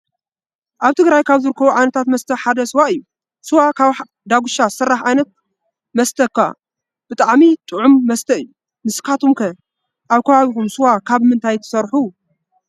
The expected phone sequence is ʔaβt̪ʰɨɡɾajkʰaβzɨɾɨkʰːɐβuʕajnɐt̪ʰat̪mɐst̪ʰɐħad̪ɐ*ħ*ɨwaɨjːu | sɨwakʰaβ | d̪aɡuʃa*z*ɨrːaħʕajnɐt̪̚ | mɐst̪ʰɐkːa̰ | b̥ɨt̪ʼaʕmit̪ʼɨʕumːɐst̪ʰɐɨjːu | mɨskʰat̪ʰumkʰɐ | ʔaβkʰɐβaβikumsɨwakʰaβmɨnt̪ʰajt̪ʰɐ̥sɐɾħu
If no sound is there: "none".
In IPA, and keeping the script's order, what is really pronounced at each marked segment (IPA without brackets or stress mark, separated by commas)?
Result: s, s